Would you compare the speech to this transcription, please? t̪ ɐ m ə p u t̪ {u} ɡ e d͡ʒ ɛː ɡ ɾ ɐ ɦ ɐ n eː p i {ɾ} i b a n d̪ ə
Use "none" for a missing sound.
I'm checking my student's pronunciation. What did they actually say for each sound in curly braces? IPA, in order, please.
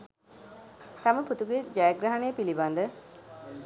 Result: u, l

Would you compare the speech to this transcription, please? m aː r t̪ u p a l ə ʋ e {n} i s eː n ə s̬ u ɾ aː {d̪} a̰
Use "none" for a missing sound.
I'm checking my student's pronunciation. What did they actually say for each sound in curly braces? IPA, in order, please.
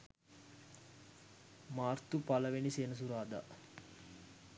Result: n, d̪

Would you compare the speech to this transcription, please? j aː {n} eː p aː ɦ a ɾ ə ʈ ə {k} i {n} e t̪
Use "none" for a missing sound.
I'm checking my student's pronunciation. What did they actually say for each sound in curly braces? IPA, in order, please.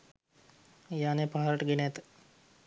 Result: n, ɡ, n

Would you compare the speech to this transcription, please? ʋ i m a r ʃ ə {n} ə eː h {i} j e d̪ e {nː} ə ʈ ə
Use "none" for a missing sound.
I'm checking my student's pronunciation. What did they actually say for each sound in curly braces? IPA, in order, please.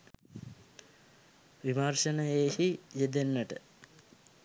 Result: n, i, nː

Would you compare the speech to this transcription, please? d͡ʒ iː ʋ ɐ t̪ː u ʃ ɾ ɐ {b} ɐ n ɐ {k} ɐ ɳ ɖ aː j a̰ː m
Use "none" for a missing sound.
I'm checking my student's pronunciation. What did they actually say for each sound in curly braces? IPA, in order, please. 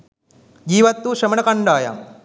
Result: m, k

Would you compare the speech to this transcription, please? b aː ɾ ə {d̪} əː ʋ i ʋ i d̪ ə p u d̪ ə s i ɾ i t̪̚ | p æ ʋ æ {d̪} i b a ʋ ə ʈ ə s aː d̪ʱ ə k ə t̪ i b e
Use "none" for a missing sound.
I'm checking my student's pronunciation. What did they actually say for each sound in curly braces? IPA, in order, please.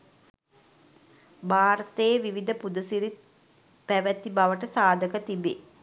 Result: t̪, t̪

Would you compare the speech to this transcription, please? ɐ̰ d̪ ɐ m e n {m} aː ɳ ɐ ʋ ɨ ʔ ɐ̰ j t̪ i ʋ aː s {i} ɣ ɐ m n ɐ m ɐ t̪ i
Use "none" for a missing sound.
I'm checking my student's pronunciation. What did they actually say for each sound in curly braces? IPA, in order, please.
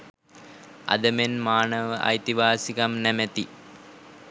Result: m, i

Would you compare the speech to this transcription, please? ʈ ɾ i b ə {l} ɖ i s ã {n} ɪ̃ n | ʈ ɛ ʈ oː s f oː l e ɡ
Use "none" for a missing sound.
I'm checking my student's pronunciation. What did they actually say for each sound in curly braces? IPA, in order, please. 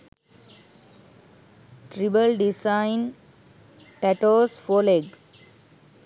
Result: l, none

